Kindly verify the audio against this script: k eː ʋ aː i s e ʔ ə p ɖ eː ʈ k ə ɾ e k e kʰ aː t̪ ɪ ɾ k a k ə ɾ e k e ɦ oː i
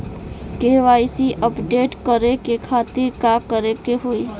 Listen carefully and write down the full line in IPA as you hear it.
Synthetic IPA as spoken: k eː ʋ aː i s i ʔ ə p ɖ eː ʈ k ə ɾ e k e kʰ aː t̪ ɪ ɾ k a k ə ɾ e k e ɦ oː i